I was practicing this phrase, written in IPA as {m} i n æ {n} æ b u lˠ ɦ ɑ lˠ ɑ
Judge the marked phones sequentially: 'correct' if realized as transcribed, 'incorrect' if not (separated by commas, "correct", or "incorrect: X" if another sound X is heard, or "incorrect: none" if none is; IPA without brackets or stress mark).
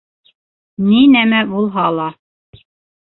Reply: incorrect: n, incorrect: m